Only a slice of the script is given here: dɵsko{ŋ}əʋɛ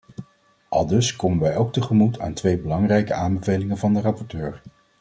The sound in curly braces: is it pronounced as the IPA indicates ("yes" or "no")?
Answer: no